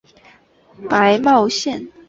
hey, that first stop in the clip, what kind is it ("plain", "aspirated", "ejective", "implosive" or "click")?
plain